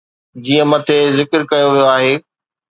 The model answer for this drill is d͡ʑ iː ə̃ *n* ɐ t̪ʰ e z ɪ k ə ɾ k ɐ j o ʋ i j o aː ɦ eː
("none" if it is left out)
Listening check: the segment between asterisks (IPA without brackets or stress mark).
m